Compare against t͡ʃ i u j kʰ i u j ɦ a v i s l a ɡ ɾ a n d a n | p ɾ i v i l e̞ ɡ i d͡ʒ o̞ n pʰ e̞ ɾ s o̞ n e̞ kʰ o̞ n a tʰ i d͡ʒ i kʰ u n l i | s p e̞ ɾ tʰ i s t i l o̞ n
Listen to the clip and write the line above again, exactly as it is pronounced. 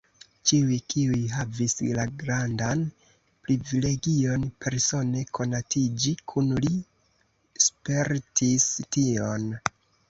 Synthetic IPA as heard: t͡ʃ i u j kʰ i u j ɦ a v i s l a ɡ ɾ a n d a n | p ɾ i v i l e̞ ɡ i o̞ n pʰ e̞ ɾ s o̞ n e̞ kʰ o̞ n a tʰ i d͡ʒ i kʰ u n l i | s p e̞ ɾ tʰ i s t i o̞ n

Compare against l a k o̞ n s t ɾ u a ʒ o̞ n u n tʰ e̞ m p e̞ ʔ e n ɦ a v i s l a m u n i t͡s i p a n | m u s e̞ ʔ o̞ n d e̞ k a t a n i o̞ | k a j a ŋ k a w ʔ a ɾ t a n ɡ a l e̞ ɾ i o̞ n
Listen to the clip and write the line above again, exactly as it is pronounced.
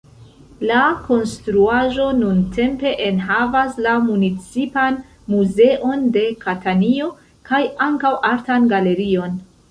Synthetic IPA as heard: l a k o̞ n s t ɾ u a ʒ o̞ n u n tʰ e̞ m p e̞ ʔ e n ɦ a v a s l a m u n i t͡s i p a n | m u z e̞ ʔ o̞ n d e̞ k a t a n i o̞ | k a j a ŋ k a w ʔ a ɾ t a n ɡ a l e̞ ɾ i o̞ n

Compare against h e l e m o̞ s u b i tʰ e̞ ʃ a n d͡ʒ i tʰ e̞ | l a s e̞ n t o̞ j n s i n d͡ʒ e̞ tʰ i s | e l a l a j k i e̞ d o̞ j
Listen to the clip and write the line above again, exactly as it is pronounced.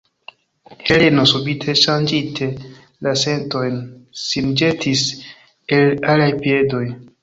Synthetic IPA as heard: h e l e n o̞ s u b i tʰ e̞ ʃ a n d͡ʒ i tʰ e̞ | l a s e̞ n t o̞ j n s i n d͡ʒ e̞ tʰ i s | e l a l a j p i e̞ d o̞ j

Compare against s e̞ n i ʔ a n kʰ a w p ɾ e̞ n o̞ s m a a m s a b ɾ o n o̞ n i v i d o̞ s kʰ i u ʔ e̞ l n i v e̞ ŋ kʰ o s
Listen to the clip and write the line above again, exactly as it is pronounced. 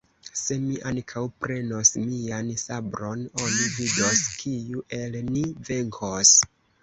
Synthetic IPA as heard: s e̞ m i ʔ a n kʰ a w p ɾ e̞ n o̞ s m i a n s a b ɾ o n o̞ n i v i d o̞ s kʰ i u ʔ e̞ l n i v e̞ ŋ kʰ o s

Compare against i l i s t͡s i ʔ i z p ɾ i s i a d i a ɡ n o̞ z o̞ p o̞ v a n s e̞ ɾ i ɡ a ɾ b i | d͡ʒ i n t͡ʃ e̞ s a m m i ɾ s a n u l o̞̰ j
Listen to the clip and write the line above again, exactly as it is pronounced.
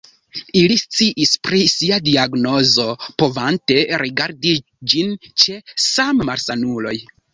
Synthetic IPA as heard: i l i s t͡s i ʔ i s p ɾ i s i a d i a ɡ n o̞ z o̞ p o̞ v a n t e̞ ɾ i ɡ a ɾ d i | d͡ʒ i n t͡ʃ e̞ s a m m a ɾ s a n u l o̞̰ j

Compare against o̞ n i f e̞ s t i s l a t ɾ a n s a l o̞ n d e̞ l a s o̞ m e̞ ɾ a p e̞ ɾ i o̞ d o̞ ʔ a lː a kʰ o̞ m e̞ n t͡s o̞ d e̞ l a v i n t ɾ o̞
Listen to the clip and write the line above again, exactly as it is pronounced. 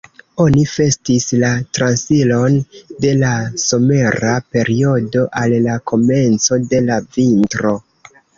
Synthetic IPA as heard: o̞ n i f e̞ s t i s l a t ɾ a n s i l o̞ n d e̞ l a s o̞ m e̞ ɾ a p e̞ ɾ i o̞ d o̞ ʔ a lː a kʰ o̞ m e̞ n t͡s o̞ d e̞ l a v i n t ɾ o̞

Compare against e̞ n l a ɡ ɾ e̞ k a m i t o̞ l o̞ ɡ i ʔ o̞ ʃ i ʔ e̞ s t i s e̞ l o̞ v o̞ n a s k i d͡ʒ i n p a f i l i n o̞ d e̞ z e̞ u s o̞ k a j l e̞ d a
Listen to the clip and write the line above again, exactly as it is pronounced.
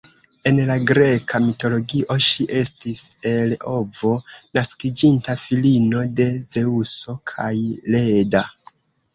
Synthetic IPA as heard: e̞ n l a ɡ ɾ e̞ k a m i t o̞ l o̞ ɡ i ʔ o̞ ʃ i ʔ e̞ s t i s e̞ l o̞ v o̞ n a s k i d͡ʒ i n t a f i l i n o̞ d e̞ z e̞ u s o̞ kʰ a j l e̞ d a

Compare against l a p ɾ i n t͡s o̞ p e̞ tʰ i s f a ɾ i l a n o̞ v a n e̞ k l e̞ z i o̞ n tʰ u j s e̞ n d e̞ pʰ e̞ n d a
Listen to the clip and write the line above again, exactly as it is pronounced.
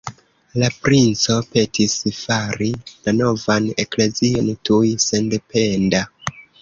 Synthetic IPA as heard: l a p ɾ i n t͡s o̞ p e̞ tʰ i s f a ɾ i l a n o̞ v a n e̞ k l e̞ z i o̞ n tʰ u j s e̞ n d e̞ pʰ e̞ n d a

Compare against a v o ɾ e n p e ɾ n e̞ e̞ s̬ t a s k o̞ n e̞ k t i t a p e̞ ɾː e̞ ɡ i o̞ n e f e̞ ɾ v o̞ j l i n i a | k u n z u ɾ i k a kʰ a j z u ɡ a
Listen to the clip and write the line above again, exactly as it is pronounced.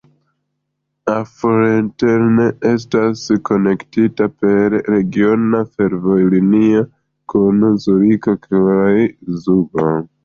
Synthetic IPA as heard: a f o ɾ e n t e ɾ n e̞ e̞ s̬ t a s k o̞ n e̞ k t i t a p e̞ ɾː e̞ ɡ i o̞ n a f e̞ ɾ v o̞ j l i n i a | k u n z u ɾ i k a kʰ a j z u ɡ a

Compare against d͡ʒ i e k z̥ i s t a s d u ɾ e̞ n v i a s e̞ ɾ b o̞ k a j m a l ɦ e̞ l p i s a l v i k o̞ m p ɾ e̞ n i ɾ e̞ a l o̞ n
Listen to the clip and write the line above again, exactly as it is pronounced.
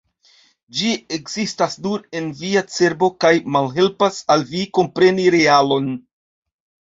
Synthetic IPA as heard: d͡ʒ i e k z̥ i s t a s d u ɾ e̞ n v i a t͡s e̞ ɾ b o̞ k a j m a l ɦ e̞ l p a s a l v i k o̞ m p ɾ e̞ n i ɾ e̞ a l o̞ n

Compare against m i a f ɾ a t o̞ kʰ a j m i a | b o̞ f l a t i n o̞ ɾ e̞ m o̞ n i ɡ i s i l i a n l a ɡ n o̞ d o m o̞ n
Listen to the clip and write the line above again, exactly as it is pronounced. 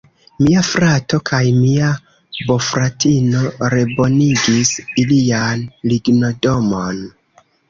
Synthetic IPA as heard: m i a f ɾ a t o̞ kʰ a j m i a | b o̞ f ɾ a t i n o̞ ɾ e̞ b o̞ n i ɡ i s i l i a n l i ɡ n o̞ d o m o̞ n

